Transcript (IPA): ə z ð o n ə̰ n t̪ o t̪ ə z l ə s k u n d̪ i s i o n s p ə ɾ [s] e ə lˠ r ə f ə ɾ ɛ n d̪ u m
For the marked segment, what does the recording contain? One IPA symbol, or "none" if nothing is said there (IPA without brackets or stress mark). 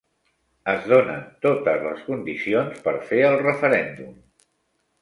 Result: f